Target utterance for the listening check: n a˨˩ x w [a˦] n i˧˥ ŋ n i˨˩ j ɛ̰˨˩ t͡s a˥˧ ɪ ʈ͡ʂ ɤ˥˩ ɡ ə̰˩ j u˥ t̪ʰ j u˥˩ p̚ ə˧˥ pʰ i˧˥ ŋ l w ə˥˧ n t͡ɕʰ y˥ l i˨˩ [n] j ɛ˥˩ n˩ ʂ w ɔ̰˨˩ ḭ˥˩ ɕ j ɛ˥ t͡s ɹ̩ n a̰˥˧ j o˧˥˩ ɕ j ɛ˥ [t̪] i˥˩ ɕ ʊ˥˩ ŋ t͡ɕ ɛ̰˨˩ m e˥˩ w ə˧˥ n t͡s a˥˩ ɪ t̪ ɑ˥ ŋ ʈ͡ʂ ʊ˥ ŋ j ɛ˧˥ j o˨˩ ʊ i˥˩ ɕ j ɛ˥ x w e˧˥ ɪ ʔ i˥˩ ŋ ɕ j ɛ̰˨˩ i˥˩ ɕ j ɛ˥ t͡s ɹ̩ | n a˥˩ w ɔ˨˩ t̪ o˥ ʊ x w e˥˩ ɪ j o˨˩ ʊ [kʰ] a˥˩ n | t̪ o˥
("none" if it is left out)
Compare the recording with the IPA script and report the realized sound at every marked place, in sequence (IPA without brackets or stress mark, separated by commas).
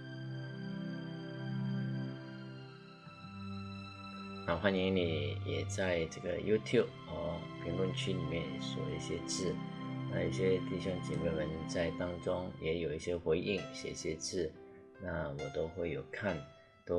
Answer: a˥˩, m, t̪, kʰ